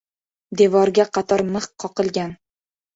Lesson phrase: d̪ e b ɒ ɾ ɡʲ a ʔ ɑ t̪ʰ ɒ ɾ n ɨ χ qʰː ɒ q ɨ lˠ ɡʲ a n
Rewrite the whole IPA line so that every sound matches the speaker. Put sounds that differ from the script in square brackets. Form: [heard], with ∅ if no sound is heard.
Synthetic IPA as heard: d̪ e [v] ɒ ɾ ɡʲ a [q] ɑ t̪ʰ ɒ ɾ [m] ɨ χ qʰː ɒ q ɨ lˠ ɡʲ a n